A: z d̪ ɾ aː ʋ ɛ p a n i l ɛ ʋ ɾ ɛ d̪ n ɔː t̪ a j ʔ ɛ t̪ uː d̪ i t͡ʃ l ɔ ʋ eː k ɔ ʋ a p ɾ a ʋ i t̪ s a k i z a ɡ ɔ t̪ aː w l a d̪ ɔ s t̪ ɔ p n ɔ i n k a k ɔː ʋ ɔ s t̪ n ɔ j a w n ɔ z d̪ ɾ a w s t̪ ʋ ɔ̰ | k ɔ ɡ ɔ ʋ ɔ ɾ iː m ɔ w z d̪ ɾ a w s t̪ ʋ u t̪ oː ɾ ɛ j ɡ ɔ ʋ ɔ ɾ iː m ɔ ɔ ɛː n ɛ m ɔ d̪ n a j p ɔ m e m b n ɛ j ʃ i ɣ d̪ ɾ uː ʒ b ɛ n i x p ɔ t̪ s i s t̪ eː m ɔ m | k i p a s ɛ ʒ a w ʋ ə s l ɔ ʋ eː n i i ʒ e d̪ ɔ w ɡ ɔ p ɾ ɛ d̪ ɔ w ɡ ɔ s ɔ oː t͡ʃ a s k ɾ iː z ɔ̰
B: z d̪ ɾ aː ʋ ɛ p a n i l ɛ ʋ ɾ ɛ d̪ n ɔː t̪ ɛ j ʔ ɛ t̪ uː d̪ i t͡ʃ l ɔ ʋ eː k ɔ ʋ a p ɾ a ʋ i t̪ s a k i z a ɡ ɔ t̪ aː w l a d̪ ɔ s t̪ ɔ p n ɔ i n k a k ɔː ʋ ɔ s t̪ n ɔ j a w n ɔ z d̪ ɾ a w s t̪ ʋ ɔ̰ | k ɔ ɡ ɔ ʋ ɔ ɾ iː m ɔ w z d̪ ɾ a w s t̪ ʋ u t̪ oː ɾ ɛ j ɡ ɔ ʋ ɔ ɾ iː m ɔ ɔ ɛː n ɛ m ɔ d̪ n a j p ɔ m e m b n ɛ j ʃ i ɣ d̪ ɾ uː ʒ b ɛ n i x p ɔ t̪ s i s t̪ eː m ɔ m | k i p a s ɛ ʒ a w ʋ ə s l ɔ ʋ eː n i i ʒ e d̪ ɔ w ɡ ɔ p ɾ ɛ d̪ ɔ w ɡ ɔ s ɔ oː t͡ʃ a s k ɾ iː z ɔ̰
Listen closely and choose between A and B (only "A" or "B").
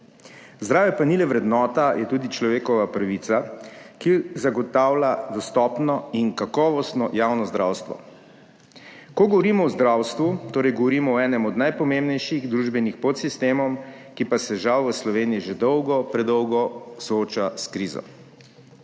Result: A